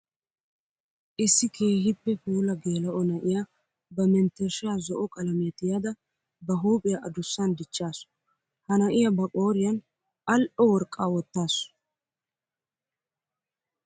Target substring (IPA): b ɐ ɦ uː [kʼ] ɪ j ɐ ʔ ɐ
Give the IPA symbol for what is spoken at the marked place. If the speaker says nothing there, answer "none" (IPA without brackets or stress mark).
pʼ